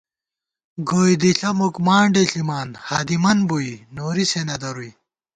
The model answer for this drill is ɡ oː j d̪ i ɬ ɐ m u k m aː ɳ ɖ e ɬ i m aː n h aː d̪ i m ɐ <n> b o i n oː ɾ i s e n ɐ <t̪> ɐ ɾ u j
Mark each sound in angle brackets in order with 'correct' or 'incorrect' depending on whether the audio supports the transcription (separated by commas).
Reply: correct, incorrect